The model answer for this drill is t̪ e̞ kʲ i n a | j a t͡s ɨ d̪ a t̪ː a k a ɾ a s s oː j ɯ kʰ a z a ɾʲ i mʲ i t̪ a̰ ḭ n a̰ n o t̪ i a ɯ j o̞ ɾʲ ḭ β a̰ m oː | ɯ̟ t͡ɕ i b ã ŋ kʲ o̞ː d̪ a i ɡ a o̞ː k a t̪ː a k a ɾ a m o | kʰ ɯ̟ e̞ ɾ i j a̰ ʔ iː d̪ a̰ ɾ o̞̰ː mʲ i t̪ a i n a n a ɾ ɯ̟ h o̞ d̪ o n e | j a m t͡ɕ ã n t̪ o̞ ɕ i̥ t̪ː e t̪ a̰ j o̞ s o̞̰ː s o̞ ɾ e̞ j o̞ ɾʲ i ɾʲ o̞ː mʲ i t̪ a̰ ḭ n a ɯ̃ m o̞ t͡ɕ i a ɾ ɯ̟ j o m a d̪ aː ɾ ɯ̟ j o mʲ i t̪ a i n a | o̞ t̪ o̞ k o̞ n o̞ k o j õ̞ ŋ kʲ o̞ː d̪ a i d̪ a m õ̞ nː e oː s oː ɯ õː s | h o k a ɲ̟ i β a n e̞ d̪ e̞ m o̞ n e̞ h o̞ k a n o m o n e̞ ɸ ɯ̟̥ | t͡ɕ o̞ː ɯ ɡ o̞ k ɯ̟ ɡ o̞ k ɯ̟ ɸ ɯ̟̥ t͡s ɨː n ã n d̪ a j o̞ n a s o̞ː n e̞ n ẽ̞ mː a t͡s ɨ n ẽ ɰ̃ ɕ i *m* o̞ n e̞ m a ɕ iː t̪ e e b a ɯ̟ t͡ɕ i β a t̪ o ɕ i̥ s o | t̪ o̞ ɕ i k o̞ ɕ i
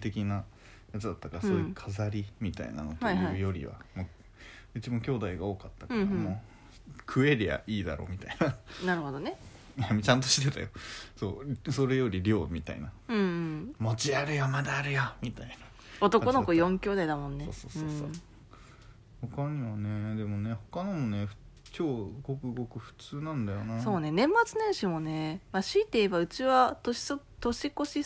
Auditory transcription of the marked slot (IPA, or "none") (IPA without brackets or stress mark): m